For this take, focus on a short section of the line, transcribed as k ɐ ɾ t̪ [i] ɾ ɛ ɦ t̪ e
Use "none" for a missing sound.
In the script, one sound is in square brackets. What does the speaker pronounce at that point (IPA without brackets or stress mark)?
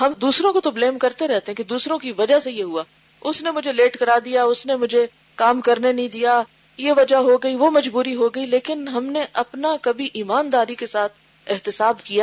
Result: e